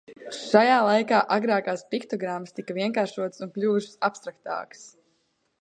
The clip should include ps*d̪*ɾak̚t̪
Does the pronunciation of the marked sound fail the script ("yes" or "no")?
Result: yes